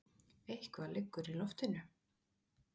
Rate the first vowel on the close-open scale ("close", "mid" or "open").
mid